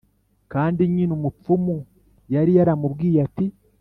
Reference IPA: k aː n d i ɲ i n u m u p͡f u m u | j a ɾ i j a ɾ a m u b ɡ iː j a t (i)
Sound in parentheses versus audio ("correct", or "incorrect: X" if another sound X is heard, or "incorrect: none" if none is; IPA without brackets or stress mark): correct